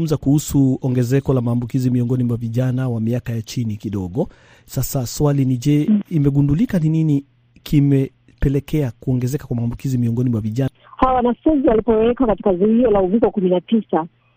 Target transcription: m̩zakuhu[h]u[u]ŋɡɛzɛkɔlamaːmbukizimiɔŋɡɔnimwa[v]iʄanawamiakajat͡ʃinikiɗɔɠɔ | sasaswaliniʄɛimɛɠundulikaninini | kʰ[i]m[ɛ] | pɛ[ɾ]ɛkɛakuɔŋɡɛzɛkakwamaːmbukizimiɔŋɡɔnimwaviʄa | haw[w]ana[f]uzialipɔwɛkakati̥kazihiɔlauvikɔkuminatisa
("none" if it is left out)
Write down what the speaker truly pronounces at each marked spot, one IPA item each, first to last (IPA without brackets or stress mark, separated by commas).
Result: s, ɔ, v, i, ɛ, l, w, f